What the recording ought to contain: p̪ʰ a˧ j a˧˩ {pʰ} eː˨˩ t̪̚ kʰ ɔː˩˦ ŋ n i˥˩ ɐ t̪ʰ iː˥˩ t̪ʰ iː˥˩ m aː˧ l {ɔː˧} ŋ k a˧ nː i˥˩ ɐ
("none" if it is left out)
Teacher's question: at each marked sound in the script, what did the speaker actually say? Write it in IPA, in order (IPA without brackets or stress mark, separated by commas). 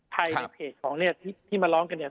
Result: pʰ, ɔː˦˥